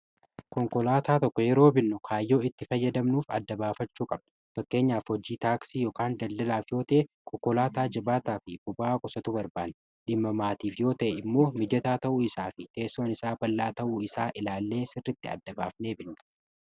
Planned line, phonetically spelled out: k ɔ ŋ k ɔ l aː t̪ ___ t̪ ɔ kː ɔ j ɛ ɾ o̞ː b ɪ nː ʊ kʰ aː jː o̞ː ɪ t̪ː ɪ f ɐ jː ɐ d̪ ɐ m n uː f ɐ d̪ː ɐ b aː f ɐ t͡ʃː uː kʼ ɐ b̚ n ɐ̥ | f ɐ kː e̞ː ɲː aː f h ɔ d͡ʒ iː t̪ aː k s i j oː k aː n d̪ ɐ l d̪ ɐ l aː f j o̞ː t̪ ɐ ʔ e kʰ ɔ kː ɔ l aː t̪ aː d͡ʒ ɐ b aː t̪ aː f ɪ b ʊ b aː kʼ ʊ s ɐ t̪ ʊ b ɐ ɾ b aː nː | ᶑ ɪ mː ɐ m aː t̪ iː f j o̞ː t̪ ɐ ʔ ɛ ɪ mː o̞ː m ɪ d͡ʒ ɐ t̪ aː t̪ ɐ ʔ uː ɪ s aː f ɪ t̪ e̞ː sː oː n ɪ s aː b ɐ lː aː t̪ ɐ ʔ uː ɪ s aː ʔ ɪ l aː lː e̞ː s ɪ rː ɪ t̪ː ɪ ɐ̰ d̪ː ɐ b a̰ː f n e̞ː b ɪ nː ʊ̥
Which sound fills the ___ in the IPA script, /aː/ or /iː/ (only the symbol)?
aː